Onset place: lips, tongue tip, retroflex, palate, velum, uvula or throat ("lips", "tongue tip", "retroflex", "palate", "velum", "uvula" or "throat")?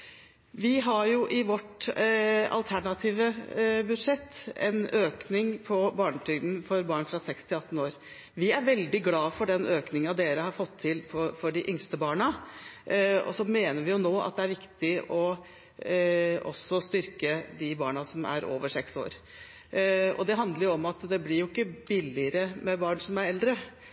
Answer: lips